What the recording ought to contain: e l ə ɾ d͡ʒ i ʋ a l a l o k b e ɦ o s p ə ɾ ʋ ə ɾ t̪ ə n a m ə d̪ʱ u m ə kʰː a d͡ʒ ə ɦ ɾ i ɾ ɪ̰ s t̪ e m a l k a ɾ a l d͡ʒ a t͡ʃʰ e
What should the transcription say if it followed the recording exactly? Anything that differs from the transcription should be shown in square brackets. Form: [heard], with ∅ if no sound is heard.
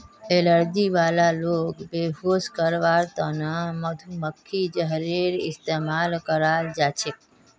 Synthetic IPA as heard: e l ə ɾ d͡ʒ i ʋ a l a l o k b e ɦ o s [k] ə ɾ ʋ [a] ɾ t̪ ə n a m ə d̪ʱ u m ə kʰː [i] d͡ʒ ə ɦ ɾ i ɾ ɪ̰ s t̪ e m a l k [ə] ɾ a l d͡ʒ a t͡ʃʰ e